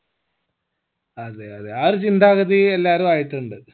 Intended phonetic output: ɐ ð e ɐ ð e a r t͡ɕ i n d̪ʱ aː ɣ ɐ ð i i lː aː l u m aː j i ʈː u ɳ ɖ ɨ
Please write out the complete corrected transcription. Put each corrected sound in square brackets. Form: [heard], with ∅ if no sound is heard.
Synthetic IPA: ɐ ð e ɐ ð e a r t͡ɕ i n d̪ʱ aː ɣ ɐ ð i [e] lː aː [ɾ] u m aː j i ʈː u ɳ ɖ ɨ